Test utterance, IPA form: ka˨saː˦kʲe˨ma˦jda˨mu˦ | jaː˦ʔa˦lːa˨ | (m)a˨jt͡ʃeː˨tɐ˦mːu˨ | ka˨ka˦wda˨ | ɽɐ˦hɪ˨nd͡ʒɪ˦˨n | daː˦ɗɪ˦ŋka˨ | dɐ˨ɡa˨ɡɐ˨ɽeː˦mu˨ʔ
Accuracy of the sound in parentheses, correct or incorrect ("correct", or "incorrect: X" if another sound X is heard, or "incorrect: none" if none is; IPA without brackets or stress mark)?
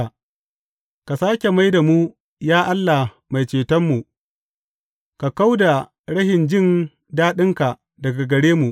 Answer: correct